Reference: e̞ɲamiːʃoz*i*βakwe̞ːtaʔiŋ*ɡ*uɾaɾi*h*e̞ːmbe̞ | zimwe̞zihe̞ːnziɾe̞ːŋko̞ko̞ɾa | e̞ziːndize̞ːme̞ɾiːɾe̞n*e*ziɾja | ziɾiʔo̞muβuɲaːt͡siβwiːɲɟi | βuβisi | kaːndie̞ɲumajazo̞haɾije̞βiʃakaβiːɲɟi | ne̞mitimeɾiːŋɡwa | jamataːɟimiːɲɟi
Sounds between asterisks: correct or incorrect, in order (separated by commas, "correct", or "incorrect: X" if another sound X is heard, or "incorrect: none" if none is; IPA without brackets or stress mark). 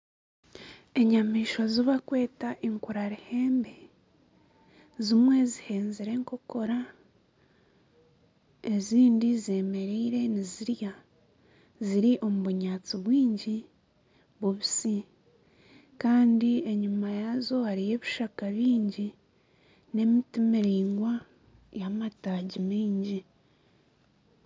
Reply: correct, incorrect: k, correct, incorrect: i